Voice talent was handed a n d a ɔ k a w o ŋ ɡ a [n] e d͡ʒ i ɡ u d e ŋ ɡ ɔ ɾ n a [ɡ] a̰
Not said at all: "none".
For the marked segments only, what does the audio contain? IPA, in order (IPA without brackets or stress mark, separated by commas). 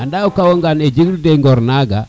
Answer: n, ɡ